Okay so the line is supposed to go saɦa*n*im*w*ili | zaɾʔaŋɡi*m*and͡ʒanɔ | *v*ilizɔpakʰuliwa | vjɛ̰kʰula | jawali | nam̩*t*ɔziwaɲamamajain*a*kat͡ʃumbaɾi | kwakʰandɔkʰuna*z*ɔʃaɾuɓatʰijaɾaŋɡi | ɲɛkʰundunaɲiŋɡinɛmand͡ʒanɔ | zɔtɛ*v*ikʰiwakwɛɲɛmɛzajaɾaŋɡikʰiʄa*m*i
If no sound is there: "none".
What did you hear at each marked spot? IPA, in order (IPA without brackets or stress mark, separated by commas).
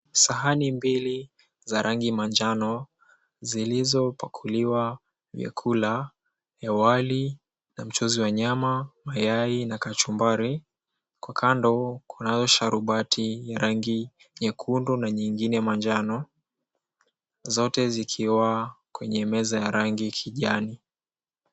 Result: n, b, m, z, t͡ʃ, a, z, z, n